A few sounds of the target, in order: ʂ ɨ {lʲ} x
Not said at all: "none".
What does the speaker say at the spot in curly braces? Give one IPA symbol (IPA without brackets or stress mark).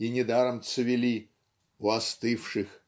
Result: none